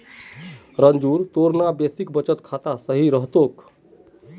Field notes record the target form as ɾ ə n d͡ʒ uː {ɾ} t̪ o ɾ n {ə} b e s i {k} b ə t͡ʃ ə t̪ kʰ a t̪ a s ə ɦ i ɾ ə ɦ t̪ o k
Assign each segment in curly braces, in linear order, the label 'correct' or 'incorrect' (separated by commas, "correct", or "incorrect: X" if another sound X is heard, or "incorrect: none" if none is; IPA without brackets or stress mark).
correct, incorrect: a, correct